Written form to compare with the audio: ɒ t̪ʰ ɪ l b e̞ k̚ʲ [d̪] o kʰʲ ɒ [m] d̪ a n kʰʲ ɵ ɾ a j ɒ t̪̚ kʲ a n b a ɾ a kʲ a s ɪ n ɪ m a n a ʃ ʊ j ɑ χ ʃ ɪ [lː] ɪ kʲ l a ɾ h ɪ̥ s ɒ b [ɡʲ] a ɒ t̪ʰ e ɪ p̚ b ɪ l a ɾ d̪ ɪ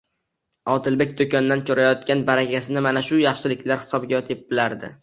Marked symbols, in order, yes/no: yes, no, no, yes

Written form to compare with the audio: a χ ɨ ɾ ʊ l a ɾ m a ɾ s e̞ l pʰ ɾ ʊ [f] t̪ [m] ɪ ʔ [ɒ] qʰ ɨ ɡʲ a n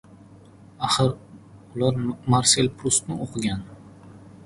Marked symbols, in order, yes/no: no, no, no

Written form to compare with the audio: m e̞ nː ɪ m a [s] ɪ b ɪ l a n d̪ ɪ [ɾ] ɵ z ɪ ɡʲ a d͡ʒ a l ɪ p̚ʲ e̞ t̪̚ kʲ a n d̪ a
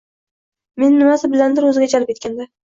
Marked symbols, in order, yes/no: yes, yes

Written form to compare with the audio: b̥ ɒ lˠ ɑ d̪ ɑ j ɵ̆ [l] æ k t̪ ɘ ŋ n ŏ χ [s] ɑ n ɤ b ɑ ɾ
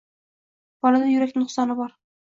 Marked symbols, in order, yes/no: no, yes

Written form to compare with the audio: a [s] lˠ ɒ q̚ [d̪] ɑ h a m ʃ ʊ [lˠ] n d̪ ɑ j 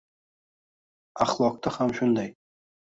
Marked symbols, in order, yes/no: no, no, no

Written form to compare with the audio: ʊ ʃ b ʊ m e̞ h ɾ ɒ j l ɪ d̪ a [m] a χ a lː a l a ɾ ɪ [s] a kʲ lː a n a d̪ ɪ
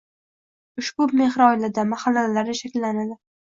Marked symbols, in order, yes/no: yes, no

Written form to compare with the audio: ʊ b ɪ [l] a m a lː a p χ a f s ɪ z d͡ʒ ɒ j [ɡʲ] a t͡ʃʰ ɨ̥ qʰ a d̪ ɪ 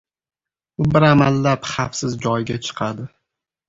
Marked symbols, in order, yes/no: no, yes

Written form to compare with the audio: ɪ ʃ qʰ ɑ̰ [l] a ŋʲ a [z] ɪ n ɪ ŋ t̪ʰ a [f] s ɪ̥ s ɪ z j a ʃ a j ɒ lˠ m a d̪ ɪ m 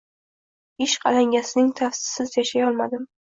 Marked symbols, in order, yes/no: yes, no, yes

